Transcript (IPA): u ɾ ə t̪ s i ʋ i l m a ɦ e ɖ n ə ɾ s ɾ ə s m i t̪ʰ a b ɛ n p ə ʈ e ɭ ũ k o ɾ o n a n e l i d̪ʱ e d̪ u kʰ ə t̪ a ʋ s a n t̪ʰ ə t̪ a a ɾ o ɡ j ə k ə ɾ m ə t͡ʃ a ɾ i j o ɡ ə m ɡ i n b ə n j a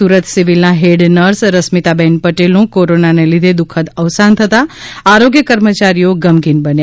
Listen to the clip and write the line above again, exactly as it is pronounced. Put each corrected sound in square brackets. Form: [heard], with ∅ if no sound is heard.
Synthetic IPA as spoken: u ɾ ə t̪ s i ʋ i l [n] a ɦ e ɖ n ə ɾ s ɾ ə s m i [t̪] a b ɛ n p ə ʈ e [l] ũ k o ɾ o n a n e l i d̪ʱ e d̪ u kʰ ə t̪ [ə] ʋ s a n t̪ʰ ə t̪ a a ɾ o ɡ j ə k ə ɾ m ə t͡ʃ a ɾ i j o ɡ ə m ɡ i n b ə n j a